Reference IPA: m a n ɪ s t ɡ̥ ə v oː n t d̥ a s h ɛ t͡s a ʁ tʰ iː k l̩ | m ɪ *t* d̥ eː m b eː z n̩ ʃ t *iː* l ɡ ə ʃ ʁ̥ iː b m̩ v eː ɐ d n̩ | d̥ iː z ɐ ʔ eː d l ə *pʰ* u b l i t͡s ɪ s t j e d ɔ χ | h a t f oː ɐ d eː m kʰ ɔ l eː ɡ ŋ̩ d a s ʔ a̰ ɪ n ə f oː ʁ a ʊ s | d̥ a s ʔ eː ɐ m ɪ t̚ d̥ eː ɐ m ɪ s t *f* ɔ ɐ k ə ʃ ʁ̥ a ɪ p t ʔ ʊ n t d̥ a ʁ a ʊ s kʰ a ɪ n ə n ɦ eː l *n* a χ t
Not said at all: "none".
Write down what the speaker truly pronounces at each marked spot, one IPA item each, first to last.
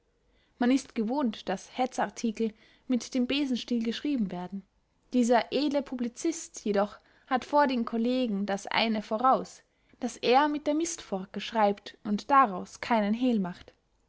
t, iː, pʰ, f, m

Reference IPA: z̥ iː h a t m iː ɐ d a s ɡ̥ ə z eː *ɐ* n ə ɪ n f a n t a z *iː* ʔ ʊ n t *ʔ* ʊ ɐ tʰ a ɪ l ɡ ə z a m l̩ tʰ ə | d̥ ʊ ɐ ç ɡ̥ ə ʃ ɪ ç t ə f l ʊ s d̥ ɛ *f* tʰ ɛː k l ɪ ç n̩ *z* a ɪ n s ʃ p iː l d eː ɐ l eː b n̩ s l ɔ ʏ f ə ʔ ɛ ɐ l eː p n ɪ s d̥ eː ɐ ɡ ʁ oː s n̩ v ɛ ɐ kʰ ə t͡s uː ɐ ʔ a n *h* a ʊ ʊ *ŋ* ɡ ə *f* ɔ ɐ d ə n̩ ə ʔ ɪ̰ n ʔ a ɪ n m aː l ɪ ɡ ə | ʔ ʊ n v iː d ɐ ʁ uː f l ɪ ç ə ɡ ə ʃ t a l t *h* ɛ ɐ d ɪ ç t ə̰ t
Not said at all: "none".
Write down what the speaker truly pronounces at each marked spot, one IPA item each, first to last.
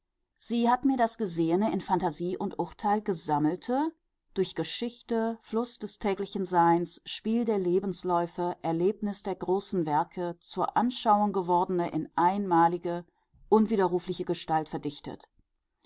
ə, iː, ʔ, s, z, ʃ, ŋ, v, f

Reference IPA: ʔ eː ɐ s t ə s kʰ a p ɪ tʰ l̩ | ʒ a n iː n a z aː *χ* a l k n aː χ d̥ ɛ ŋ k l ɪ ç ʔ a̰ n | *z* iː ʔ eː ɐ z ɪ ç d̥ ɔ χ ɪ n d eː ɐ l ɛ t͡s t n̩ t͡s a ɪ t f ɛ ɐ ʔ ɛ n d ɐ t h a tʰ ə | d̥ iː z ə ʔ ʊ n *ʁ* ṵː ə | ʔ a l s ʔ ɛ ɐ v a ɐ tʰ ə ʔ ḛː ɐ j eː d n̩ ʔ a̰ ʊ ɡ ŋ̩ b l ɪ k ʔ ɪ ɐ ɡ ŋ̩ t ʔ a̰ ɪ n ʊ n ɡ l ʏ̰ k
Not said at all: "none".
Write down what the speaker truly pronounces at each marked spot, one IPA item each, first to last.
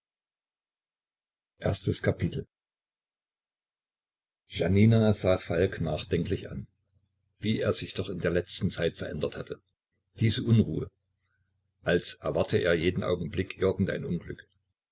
f, v, ʁ

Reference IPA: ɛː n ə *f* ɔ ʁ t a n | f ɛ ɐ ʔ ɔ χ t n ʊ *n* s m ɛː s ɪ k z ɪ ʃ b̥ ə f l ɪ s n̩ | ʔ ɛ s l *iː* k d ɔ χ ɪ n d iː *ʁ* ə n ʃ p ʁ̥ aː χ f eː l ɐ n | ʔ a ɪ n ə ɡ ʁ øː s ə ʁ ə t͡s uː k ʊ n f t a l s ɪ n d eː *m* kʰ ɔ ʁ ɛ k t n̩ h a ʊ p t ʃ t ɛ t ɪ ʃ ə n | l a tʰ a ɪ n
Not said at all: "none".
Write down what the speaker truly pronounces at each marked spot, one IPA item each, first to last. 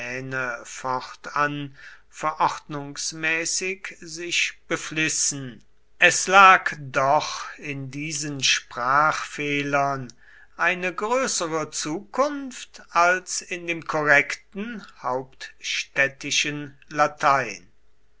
f, ŋ, aː, z, m

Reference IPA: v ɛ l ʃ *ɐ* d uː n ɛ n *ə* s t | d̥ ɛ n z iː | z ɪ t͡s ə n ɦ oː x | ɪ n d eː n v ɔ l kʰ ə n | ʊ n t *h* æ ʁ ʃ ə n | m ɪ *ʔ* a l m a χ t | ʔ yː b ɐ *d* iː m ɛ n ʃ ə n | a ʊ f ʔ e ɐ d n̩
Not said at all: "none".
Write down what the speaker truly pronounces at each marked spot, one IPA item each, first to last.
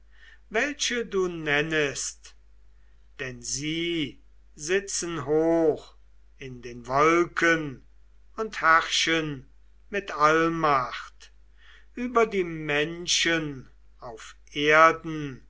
ə, ə, h, t, d

